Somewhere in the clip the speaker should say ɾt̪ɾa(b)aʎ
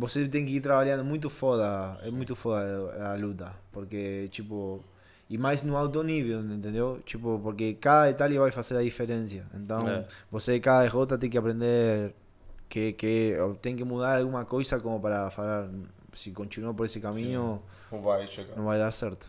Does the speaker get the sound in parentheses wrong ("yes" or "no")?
yes